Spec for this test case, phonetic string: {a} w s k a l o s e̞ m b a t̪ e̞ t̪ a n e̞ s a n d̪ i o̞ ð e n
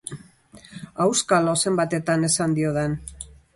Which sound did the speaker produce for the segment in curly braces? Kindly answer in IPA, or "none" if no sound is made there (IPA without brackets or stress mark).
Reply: a